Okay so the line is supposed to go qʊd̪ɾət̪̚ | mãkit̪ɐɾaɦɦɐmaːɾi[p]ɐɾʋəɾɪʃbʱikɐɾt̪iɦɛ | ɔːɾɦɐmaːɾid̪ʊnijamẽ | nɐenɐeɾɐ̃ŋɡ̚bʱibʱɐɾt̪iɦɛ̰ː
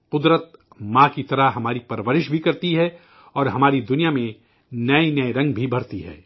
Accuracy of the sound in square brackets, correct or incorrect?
correct